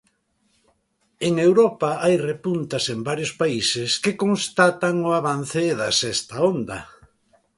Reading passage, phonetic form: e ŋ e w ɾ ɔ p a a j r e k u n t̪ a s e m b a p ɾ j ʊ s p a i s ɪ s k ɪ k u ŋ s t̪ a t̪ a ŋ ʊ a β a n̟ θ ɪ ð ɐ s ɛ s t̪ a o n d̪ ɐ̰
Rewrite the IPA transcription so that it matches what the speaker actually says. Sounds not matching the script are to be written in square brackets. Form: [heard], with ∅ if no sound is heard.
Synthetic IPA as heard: e ŋ e w ɾ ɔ p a a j r e [p] u n t̪ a s e m b a [∅] ɾ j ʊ s p a i s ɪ s k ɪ k [o] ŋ s t̪ a t̪ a ŋ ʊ a β a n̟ θ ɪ ð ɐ s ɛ s t̪ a o n d̪ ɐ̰